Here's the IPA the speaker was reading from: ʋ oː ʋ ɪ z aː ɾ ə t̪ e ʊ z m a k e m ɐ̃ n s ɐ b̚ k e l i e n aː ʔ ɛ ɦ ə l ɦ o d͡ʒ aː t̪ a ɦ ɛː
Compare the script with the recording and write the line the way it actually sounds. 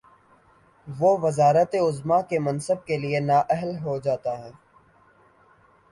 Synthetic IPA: ʋ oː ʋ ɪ z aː ɾ ə t̪ e ʊ z m a k e m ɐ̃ n s ə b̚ k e l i e n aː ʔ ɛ ɦ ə l ɦ o d͡ʒ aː t̪ a ɦ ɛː